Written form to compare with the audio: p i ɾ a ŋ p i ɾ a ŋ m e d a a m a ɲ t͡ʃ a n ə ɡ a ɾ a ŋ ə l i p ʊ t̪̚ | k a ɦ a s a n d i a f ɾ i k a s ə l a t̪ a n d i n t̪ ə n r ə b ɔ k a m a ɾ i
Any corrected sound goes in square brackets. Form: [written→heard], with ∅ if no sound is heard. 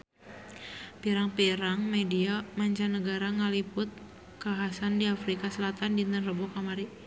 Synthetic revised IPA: p i ɾ a ŋ p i ɾ a ŋ m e d [a→i] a m a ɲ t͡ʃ a n ə ɡ a ɾ a ŋ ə l i p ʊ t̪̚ | k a ɦ a s a n d i a f ɾ i k a s ə l a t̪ a n d i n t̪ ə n r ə b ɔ k a m a ɾ i

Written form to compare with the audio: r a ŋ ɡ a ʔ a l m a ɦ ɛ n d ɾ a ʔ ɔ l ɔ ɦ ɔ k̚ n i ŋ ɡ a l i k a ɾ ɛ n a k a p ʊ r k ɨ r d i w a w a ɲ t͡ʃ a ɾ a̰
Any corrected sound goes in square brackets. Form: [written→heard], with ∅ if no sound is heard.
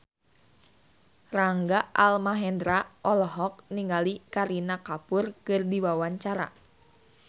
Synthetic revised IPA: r a ŋ ɡ a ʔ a l m a ɦ ɛ n d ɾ a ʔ ɔ l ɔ ɦ ɔ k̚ n i ŋ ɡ a l i k a ɾ [ɛ→i] n a k a p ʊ r k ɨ r d i w a w a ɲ t͡ʃ a ɾ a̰

